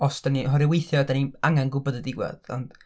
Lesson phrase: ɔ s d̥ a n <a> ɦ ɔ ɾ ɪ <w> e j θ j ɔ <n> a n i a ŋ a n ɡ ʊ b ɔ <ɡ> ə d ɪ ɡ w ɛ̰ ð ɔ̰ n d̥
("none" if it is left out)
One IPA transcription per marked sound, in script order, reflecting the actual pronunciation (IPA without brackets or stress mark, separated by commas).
i, w, d, d